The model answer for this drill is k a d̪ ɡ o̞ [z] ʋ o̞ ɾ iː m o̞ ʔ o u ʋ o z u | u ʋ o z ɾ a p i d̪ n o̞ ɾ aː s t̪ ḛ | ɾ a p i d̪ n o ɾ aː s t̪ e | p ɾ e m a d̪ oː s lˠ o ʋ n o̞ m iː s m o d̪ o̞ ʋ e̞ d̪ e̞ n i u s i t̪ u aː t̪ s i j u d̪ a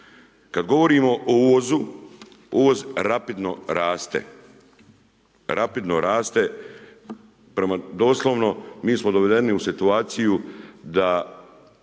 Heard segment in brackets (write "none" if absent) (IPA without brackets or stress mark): none